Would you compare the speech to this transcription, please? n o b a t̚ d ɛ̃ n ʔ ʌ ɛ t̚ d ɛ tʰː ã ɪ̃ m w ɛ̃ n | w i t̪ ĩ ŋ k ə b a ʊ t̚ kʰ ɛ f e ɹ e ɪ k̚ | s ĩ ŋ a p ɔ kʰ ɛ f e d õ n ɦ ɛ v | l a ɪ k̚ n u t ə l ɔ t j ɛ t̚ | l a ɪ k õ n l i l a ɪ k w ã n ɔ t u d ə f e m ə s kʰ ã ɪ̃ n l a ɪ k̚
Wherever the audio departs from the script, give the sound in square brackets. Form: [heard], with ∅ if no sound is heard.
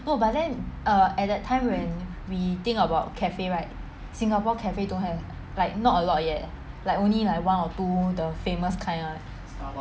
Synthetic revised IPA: n o b a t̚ d ɛ̃ n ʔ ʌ ɛ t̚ d ɛ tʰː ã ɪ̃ m w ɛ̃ n | w i t̪ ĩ ŋ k ə b a ʊ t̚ kʰ ɛ f e ɹ [a] ɪ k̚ | s ĩ ŋ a p ɔ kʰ ɛ f e d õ n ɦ ɛ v | l a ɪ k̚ n [ɔ] t ə l ɔ t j ɛ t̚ | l a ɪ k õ n l i l a ɪ k w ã n ɔ t u d ə f e m ə s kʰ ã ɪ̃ n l a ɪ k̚